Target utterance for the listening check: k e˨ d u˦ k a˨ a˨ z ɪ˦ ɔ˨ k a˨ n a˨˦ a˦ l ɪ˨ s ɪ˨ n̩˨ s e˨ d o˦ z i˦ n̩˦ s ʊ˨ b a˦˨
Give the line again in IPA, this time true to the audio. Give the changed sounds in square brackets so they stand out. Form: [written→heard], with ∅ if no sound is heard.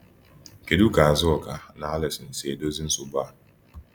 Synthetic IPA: k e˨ d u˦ k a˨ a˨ z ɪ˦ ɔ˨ k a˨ n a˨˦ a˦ l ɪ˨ s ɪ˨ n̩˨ s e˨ d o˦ z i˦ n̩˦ s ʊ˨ b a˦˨